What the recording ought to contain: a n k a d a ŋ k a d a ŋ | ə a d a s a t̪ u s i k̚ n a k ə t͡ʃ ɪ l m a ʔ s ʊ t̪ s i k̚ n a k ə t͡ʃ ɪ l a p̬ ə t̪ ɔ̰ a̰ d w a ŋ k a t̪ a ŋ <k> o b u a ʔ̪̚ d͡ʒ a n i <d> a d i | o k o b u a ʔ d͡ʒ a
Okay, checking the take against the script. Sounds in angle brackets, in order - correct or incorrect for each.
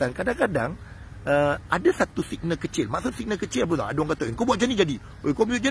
correct, incorrect

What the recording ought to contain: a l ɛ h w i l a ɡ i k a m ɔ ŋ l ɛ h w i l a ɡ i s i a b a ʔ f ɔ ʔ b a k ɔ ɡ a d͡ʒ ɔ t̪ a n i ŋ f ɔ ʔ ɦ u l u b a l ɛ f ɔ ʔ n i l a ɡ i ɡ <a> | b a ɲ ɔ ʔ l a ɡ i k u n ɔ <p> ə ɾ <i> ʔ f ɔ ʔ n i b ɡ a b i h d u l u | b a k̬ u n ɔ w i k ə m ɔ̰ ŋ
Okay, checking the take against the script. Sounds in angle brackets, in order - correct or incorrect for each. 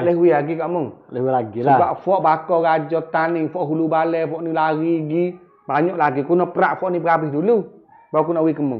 incorrect, correct, incorrect

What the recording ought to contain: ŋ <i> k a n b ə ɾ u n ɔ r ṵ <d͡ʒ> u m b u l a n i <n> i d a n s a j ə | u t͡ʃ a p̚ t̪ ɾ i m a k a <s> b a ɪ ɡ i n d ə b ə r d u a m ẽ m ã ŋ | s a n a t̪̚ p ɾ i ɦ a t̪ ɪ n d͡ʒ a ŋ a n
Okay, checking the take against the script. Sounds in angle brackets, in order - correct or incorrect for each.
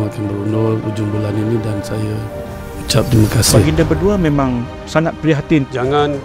incorrect, correct, correct, correct

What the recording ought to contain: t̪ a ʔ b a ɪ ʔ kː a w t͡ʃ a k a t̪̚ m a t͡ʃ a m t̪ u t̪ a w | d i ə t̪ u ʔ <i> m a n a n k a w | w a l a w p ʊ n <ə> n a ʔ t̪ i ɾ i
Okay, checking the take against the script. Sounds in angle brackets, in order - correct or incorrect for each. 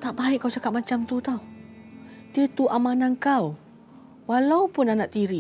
incorrect, incorrect

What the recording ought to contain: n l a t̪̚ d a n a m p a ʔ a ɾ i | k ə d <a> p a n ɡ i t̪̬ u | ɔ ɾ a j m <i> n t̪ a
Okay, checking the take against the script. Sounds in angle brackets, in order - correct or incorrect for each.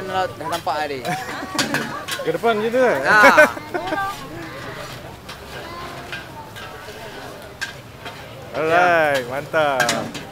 incorrect, incorrect

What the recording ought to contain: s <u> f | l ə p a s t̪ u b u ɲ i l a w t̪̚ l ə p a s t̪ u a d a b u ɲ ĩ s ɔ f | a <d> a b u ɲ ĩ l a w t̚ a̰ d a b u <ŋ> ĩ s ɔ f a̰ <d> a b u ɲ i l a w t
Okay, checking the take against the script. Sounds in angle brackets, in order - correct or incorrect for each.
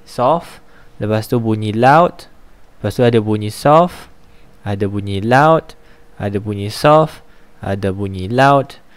incorrect, correct, incorrect, correct

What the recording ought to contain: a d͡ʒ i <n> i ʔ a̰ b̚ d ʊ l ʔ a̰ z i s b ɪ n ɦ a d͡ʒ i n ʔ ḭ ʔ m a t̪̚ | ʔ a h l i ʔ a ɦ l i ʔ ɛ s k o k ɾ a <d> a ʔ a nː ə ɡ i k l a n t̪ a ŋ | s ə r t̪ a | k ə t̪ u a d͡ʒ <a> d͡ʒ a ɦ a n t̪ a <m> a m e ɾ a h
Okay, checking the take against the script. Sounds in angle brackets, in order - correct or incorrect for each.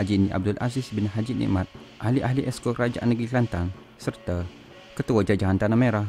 correct, incorrect, correct, incorrect

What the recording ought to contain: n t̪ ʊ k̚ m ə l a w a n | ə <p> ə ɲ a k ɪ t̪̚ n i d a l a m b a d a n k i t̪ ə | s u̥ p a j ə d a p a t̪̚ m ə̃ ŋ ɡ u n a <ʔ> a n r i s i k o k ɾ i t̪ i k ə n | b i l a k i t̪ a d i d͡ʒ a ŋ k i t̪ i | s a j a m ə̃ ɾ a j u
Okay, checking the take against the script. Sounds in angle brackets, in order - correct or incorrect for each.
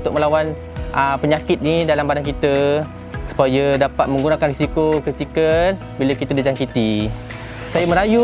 correct, incorrect

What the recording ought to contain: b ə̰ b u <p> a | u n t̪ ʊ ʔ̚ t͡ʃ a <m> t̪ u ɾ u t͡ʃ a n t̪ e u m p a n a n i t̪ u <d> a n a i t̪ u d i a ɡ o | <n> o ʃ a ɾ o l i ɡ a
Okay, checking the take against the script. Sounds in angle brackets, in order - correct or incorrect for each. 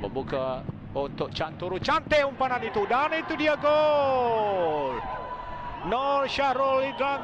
incorrect, incorrect, correct, correct

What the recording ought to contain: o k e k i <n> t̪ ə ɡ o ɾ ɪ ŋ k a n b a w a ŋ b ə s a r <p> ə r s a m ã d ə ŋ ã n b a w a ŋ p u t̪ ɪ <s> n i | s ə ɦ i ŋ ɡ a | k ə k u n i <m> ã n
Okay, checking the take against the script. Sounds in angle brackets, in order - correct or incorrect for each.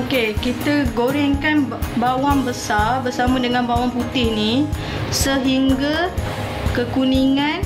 incorrect, incorrect, incorrect, incorrect

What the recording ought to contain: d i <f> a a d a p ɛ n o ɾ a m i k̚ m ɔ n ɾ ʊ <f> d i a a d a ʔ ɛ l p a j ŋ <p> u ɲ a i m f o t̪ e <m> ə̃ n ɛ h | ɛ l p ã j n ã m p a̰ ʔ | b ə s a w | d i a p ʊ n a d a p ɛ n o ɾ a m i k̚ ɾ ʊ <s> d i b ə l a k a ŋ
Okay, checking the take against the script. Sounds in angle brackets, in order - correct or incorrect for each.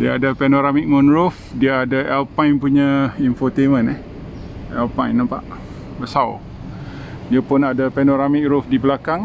incorrect, correct, correct, correct, incorrect

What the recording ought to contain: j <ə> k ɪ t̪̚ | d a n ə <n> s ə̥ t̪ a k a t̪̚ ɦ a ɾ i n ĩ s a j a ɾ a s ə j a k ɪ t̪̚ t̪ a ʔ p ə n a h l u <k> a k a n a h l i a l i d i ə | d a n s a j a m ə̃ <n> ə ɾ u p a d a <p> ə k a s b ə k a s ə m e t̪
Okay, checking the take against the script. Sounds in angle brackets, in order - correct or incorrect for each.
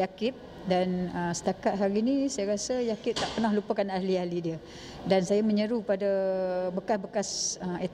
incorrect, incorrect, incorrect, incorrect, incorrect

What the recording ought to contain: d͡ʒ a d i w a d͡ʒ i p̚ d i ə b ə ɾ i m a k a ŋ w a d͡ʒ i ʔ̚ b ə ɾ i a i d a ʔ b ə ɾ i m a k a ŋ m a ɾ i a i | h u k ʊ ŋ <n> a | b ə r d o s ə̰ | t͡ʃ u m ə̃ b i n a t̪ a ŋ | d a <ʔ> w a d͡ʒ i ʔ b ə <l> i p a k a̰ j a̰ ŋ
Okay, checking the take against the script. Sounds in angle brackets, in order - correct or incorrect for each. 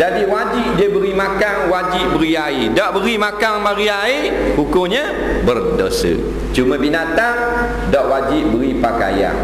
incorrect, correct, incorrect

